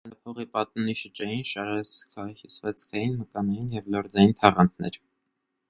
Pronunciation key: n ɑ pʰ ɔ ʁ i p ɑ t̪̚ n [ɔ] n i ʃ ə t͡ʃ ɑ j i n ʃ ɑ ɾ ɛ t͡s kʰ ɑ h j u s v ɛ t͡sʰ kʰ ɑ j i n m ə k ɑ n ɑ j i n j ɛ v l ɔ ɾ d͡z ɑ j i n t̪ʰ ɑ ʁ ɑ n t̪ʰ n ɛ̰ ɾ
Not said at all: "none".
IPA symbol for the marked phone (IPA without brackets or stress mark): u